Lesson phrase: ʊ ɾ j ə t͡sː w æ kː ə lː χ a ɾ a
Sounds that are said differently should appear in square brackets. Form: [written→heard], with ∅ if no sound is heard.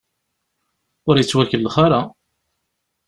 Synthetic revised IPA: ʊ ɾ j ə t͡sː w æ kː ə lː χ a ɾ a